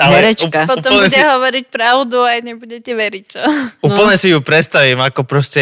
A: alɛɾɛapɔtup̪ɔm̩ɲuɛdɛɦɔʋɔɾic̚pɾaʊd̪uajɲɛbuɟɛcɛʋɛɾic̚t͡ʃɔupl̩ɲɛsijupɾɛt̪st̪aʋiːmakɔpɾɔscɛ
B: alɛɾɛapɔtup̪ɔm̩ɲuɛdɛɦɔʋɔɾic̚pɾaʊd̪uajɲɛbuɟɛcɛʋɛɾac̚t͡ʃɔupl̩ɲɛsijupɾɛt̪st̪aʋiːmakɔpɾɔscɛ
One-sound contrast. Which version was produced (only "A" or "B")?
A